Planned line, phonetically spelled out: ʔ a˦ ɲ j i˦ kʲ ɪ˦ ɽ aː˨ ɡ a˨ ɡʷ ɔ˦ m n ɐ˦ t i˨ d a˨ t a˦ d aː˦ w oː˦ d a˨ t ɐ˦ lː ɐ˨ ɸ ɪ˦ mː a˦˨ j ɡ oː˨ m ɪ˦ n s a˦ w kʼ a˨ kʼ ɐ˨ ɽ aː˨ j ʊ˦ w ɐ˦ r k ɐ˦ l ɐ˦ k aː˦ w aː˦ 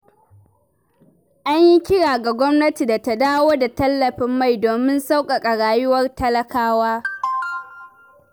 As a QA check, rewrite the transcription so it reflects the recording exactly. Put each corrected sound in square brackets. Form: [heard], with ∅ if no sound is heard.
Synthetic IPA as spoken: ʔ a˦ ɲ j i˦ kʲ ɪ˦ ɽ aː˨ ɡ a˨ ɡʷ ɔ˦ m n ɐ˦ t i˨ d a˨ t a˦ d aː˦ w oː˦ d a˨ t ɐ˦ lː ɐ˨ ɸ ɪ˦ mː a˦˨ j [d] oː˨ m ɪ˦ n s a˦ w kʼ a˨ kʼ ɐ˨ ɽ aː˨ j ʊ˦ w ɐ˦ r [t] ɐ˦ l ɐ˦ k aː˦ w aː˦